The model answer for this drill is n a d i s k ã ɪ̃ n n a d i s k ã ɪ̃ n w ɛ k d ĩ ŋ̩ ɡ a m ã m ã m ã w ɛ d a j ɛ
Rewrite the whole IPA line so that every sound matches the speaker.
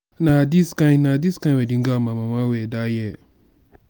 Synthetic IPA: n a d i s k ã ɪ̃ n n a d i s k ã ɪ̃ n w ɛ d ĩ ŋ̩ ɡ a m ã m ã m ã w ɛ d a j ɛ